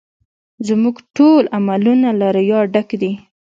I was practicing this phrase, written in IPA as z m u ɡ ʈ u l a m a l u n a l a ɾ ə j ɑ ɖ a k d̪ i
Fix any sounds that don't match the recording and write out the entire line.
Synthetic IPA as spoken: z m u ɡ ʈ o l a m a l u n a l a ɾ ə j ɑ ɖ a k d̪ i